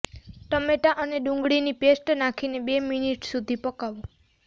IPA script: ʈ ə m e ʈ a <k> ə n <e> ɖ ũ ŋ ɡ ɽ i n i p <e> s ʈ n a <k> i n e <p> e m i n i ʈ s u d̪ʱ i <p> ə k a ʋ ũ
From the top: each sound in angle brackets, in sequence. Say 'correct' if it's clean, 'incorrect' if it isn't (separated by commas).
incorrect, correct, correct, incorrect, incorrect, correct